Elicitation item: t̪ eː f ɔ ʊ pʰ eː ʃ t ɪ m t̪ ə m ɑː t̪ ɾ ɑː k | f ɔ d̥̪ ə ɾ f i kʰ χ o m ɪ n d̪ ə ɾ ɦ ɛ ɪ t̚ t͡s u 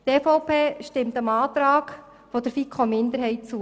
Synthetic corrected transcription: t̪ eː f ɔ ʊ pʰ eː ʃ t ɪ m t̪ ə m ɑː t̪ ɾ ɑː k | f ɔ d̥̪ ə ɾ f i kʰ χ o m ɪ n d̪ ə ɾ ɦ ɛ ɪ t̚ t͡s u